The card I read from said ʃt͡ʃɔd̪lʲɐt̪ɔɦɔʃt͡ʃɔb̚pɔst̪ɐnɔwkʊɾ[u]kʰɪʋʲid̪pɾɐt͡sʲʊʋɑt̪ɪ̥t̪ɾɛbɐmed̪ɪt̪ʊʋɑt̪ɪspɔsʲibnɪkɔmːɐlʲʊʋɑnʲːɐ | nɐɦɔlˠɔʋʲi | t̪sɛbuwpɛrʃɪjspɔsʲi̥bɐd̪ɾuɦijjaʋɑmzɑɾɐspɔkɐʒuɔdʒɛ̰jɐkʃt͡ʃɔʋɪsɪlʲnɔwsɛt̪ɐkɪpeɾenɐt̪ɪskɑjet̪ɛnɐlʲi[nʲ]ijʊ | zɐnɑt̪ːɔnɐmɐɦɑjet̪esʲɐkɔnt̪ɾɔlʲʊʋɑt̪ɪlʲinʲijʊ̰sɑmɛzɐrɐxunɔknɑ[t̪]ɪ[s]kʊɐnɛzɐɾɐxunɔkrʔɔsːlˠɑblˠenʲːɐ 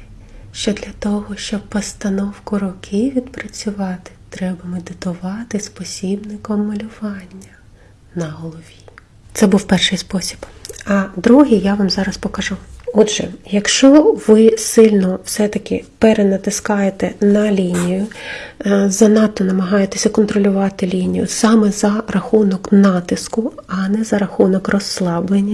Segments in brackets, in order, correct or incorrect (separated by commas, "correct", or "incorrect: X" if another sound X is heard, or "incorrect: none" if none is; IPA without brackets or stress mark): incorrect: ɔ, correct, correct, correct